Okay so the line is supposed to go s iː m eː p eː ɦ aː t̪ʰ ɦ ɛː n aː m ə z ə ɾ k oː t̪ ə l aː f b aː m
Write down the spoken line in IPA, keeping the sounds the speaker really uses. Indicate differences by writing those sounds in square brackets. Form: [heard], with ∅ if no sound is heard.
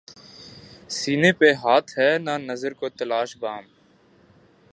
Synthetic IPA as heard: s iː [n] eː p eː ɦ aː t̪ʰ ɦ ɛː n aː [n] ə z ə ɾ k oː t̪ ə l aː [ʃ] b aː m